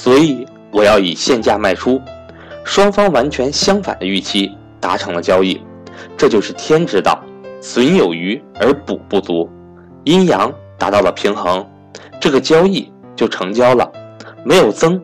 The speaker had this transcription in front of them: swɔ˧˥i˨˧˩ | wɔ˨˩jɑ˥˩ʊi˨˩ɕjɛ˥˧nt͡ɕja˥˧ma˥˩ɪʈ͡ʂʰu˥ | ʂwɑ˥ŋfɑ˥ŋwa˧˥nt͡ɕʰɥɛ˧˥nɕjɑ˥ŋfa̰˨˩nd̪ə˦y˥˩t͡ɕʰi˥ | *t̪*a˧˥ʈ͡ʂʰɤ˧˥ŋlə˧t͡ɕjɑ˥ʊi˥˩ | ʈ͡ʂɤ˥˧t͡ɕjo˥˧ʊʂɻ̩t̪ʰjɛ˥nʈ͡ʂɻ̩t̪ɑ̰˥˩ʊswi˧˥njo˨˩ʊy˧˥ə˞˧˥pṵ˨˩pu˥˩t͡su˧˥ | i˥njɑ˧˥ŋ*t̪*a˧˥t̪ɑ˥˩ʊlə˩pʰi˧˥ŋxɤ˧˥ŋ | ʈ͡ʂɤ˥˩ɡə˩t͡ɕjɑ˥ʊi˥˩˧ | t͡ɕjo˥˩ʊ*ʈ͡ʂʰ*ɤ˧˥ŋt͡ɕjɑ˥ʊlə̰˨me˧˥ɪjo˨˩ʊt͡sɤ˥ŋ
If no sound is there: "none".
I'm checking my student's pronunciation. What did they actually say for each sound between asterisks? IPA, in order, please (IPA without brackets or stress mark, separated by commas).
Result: t̪, t̪, ʈ͡ʂʰ